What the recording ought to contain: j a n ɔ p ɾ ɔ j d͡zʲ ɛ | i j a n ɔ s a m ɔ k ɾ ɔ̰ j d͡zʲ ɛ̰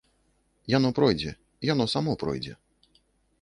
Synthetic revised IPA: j a n ɔ p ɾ ɔ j d͡zʲ ɛ | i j a n ɔ s a m ɔ p ɾ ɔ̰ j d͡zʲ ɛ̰